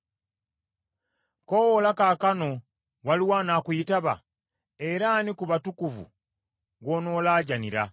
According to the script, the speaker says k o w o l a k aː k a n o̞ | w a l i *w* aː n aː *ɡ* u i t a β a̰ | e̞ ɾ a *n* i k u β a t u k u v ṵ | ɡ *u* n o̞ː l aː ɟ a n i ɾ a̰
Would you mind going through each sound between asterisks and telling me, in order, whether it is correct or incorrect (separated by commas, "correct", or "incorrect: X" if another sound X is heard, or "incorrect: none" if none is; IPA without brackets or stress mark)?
correct, incorrect: k, correct, incorrect: o